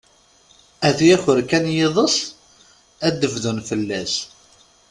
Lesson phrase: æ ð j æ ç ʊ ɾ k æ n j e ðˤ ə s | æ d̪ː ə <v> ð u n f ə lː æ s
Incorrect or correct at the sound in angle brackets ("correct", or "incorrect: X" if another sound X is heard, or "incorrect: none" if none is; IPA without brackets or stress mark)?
correct